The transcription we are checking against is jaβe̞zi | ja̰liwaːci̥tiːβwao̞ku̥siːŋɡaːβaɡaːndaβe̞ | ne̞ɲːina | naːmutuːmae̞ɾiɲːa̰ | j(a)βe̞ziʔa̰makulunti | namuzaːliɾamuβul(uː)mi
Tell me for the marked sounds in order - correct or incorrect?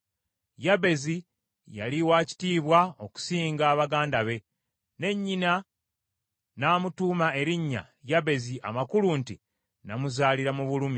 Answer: correct, incorrect: u

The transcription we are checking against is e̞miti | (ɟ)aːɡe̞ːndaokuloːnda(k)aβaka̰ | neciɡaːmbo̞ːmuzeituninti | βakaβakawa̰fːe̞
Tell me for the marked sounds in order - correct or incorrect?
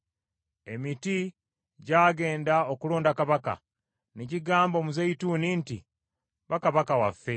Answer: correct, correct

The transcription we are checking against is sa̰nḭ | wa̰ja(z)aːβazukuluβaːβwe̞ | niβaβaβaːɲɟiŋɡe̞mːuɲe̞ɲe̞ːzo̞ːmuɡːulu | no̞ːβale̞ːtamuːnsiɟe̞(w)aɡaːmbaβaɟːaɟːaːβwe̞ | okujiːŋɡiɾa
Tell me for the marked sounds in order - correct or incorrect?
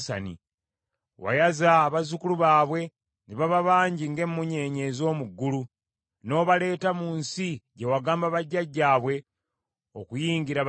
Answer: correct, correct

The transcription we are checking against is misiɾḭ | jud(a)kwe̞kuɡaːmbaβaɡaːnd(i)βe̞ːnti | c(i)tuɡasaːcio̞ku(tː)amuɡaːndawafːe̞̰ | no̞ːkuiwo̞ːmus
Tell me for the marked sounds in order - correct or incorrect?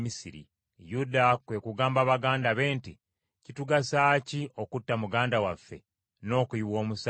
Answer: correct, incorrect: a, correct, correct

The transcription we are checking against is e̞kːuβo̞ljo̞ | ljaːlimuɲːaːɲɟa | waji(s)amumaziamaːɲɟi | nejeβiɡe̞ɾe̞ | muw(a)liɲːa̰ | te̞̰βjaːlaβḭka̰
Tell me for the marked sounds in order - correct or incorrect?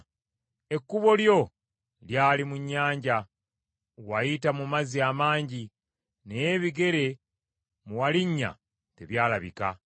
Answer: incorrect: t, correct

